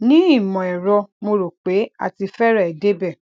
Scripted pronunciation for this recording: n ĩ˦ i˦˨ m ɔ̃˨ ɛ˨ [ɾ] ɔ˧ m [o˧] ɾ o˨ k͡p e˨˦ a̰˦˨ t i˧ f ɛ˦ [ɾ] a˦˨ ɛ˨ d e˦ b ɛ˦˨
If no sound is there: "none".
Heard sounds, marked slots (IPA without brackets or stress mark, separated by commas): ɾ, o˧, ɾ